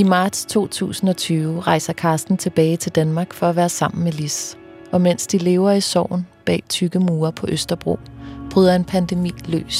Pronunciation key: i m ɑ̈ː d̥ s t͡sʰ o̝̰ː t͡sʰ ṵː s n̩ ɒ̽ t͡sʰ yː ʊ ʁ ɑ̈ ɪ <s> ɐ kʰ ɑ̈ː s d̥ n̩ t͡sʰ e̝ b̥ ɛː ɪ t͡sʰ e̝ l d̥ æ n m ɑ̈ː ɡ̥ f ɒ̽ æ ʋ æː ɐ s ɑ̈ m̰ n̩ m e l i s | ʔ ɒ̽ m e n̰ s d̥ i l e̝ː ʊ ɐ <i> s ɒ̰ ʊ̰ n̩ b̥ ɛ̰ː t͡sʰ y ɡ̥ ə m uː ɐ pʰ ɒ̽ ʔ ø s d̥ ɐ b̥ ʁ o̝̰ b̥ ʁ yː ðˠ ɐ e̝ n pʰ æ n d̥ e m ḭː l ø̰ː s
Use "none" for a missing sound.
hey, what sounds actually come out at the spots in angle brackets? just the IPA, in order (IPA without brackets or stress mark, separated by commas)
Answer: s, i